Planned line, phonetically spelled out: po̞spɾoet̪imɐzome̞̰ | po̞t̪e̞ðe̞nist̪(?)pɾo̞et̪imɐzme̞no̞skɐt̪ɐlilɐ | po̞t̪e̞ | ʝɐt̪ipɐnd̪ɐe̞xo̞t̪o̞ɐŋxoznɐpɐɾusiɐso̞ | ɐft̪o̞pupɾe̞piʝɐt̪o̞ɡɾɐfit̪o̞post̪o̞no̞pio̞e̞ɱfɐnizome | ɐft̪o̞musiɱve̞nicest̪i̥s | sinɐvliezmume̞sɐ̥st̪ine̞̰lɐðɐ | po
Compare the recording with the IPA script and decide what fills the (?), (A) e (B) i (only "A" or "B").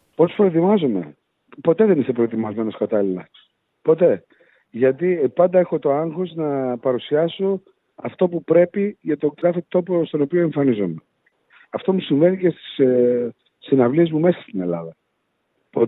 A